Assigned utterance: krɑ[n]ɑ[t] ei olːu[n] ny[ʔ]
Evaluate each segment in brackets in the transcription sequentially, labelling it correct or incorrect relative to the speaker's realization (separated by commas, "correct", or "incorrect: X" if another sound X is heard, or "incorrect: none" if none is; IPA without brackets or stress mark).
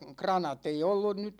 correct, correct, correct, incorrect: t